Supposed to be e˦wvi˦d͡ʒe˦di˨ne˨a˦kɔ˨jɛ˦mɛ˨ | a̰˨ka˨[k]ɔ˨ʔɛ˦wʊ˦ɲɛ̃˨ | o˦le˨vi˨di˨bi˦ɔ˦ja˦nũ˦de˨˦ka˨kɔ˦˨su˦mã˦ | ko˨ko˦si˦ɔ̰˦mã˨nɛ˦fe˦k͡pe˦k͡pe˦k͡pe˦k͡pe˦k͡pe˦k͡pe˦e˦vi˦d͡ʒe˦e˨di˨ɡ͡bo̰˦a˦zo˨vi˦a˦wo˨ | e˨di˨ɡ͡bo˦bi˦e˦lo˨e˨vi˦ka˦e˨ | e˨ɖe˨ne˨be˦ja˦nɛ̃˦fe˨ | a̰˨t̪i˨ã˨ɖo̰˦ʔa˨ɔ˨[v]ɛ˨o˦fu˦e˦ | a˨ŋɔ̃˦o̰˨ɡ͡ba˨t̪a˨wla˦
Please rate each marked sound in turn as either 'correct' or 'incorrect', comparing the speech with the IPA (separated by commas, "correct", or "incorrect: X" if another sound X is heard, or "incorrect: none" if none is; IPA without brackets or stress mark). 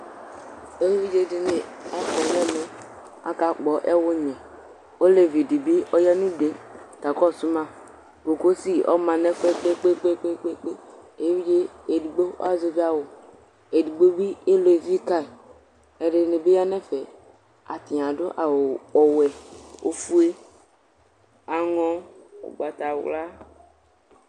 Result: incorrect: k͡p, incorrect: w